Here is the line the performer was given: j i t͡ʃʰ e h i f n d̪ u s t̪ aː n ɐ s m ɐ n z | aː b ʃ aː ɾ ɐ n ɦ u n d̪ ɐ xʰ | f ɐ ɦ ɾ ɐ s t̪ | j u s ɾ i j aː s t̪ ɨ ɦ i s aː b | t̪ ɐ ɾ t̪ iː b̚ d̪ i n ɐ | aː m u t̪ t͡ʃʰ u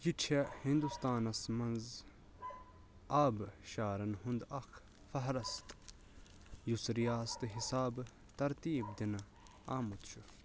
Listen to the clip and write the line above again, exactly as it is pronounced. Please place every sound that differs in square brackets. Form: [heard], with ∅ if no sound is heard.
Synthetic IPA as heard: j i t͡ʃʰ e h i [∅] n d̪ u s t̪ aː n ɐ s m ɐ n z | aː b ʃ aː ɾ ɐ n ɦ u n d̪ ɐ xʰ | f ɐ ɦ ɾ ɐ s t̪ | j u s ɾ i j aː s t̪ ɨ ɦ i s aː b | t̪ ɐ ɾ t̪ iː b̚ d̪ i n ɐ | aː m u t̪ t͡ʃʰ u